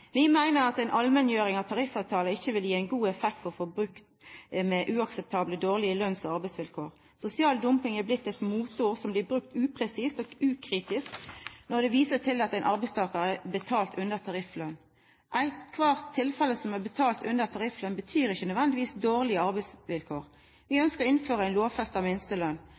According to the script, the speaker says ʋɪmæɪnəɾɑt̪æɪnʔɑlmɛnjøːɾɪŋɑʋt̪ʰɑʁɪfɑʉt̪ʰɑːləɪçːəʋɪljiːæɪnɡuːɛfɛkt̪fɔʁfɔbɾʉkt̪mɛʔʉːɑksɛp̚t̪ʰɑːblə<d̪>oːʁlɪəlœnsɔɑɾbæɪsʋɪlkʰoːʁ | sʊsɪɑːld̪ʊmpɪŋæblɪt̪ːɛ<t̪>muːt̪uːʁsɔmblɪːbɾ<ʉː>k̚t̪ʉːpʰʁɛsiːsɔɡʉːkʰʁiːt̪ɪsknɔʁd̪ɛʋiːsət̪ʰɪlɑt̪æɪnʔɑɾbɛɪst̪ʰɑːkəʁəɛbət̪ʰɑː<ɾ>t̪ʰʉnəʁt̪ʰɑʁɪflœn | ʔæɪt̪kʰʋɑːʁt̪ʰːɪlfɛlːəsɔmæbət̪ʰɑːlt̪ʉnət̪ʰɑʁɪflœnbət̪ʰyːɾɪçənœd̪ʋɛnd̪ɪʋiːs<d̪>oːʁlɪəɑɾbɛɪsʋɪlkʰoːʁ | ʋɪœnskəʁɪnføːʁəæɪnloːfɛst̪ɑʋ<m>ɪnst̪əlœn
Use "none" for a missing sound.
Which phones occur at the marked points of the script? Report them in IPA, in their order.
d̪, t̪, ʉ, l, d̪, m

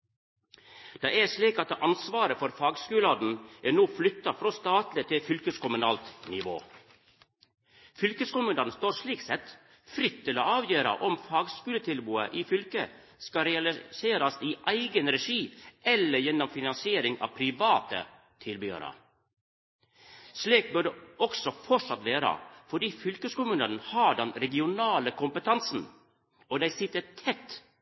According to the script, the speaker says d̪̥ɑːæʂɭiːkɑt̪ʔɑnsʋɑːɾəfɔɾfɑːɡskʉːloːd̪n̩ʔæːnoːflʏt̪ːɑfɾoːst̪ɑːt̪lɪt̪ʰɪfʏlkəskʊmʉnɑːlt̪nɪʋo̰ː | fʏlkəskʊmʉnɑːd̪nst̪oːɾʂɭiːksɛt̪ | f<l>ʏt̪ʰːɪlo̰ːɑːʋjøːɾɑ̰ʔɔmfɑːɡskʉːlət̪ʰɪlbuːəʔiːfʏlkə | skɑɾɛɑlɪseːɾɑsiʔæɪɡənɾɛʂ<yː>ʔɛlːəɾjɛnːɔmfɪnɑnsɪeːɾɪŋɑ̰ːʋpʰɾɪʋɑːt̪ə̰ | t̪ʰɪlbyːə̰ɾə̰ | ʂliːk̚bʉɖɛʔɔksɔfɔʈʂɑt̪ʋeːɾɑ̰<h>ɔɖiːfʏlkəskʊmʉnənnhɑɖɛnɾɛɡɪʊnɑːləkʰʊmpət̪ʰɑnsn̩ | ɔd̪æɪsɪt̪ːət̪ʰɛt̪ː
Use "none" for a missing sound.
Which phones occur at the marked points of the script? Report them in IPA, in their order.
ɾ, iː, f

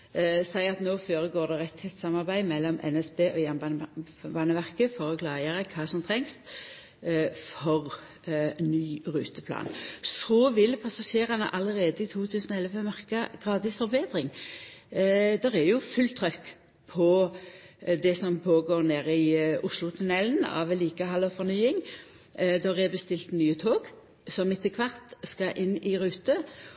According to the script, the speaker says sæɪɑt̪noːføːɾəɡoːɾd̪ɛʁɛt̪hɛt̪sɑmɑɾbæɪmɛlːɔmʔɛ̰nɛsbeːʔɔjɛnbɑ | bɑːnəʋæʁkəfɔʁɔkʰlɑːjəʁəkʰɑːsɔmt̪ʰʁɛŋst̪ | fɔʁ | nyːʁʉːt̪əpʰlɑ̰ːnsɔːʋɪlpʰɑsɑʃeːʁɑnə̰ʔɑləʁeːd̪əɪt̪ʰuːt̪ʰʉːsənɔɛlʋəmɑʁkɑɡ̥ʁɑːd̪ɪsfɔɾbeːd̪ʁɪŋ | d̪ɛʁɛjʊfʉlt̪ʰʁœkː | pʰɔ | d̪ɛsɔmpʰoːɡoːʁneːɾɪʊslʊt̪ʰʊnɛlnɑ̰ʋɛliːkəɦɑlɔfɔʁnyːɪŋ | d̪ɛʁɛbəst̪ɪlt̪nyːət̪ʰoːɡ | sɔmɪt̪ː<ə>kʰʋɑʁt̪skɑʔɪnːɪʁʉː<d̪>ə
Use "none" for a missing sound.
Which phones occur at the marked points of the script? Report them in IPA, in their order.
ə, t̪

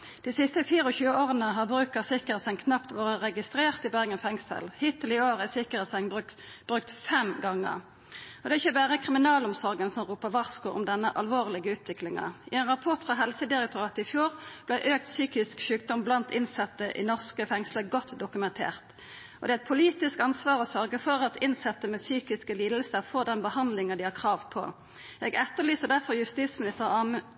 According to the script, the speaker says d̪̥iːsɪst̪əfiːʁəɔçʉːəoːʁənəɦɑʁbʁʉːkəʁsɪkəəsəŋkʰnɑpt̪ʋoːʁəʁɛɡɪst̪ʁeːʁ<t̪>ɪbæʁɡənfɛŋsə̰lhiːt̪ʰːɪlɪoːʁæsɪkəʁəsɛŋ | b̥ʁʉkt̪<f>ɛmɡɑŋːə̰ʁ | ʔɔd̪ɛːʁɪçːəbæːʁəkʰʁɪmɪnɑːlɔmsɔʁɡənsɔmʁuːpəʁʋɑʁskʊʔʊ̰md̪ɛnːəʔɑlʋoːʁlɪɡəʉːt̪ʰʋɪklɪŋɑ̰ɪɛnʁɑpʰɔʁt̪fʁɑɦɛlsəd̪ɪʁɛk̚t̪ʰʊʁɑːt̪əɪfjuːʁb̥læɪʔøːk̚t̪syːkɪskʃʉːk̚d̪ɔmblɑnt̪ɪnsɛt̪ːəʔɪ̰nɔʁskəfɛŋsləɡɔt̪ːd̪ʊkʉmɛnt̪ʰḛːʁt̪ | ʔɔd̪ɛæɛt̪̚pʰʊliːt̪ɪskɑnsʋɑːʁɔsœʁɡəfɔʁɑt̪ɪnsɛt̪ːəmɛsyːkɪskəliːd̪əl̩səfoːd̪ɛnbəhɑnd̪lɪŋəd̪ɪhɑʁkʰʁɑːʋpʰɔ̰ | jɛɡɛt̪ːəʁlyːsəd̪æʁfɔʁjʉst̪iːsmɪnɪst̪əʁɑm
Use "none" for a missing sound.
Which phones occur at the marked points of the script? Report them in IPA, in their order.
t̪, f

